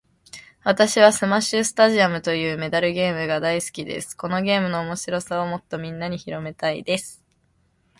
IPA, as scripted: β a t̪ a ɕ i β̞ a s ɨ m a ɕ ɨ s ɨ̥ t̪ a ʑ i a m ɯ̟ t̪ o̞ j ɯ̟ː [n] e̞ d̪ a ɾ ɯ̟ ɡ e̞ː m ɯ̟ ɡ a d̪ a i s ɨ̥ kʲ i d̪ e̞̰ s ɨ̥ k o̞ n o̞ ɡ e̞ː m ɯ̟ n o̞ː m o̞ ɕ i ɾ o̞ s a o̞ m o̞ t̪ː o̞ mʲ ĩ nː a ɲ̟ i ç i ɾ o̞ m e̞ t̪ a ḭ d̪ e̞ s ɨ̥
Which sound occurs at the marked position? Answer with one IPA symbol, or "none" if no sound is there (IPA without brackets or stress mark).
m